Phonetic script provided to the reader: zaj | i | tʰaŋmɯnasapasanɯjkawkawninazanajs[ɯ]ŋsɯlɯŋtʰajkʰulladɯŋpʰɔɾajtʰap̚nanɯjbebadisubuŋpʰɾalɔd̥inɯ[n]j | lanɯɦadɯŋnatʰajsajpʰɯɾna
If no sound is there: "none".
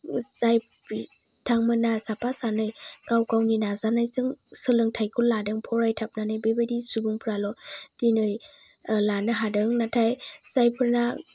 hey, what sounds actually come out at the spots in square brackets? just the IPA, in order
ɯ, none

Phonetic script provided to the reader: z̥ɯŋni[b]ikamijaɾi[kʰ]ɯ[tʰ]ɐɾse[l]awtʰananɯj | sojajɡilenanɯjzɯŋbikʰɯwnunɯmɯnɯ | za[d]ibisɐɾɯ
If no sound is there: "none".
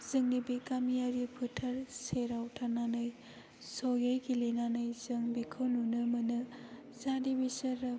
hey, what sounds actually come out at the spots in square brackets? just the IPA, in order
b, pʰ, tʰ, ɾ, d

